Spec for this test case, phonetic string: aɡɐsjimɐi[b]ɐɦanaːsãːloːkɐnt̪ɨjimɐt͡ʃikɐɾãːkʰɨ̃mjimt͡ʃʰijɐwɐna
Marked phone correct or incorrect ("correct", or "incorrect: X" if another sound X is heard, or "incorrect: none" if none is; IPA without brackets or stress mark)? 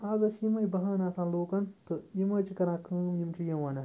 correct